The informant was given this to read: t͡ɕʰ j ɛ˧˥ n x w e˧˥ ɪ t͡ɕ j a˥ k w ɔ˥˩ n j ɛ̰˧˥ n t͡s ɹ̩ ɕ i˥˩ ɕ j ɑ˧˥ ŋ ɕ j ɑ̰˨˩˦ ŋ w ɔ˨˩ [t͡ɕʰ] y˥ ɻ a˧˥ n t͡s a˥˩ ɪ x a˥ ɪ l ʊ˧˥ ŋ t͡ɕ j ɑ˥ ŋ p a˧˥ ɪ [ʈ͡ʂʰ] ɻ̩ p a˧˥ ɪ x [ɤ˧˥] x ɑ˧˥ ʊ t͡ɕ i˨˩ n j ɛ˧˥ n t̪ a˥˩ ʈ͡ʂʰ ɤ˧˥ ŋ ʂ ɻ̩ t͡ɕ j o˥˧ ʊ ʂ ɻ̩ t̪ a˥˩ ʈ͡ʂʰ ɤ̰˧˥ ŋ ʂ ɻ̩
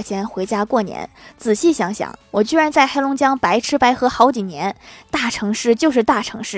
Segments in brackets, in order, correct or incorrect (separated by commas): incorrect, correct, correct